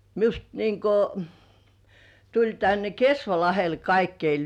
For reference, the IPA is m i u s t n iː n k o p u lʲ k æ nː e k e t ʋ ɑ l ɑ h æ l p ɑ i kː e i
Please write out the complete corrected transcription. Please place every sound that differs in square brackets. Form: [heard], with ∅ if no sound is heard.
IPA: m i u s t n iː [ŋ] k o [t] u lʲ [t] æ nː e k e [s] ʋ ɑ l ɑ h [e] l [k] ɑ i kː e i

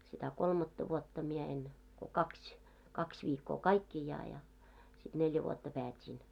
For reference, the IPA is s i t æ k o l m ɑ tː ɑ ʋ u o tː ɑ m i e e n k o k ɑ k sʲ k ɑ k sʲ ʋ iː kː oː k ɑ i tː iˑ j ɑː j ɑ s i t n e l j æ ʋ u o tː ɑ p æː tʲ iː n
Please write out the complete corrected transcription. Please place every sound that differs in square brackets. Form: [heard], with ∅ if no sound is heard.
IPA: s i t æ k o l m ɑ tː ɑ ʋ u o tː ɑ m i e e n k o k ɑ k sʲ k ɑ k sʲ ʋ iː kː oː k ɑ i [kː] iˑ j ɑː j ɑ s i t n e l j æ ʋ u o tː ɑ p æː tʲ iː n

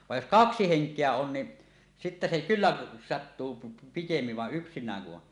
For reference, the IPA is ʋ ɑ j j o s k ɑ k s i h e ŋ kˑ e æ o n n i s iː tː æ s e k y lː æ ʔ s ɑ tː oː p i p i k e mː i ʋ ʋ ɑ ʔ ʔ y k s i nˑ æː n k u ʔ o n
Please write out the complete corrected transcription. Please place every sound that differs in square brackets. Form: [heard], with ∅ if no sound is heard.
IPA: ʋ ɑ j j o s k ɑ k s i h e ŋ kˑ e æ o n n i s [i] tː æ s e k y lː æ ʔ s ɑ tː [uː] p i p i k e mː i ʋ ʋ ɑ ʔ ʔ y k s i nˑ æː [ŋ] k u ʔ o n

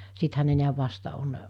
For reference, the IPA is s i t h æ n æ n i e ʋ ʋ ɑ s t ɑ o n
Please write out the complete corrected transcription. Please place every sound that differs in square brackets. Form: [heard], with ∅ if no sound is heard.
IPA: s i t h æ n [e] n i [æ] ʋ ʋ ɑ s t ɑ o n

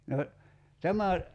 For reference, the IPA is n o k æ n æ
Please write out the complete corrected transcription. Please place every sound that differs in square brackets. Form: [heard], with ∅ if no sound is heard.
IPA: n o [t] æ [m] æ

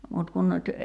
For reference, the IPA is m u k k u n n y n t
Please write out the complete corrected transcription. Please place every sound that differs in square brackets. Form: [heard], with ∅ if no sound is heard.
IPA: m u [t] k u n n y [∅] t

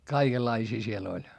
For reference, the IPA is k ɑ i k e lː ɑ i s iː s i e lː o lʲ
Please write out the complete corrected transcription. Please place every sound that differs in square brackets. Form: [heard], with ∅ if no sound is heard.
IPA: k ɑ i k e lː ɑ i s iː s i e [l] o lʲ

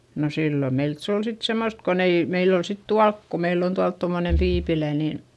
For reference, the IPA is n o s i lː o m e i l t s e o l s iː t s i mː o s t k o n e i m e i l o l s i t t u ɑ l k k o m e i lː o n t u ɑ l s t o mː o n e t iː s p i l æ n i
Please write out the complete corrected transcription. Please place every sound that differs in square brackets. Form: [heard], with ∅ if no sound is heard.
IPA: n o s i lː o m e i l t s e o l s [i] t s [e] mː o s t k o n e i m e i l o l s i t t u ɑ l k k o m e i lː o n t u ɑ l [t] t o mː o n e t iː [∅] p i l æ n i

